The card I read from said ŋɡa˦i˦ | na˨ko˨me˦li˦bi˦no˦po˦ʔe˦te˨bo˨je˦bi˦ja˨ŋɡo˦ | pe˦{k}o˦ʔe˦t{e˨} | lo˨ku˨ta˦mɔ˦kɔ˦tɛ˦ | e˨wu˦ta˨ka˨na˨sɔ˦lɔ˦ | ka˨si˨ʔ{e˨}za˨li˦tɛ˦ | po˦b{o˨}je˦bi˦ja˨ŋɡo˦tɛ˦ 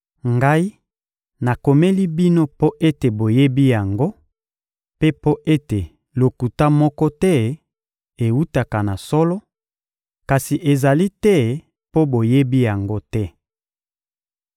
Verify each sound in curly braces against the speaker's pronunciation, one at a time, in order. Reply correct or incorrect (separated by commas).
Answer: incorrect, correct, correct, correct